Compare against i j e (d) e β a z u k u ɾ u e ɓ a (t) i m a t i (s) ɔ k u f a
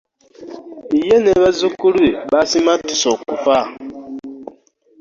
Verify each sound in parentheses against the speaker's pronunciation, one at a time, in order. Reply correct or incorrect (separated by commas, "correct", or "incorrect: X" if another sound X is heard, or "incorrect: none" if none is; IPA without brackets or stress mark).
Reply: incorrect: n, incorrect: s, correct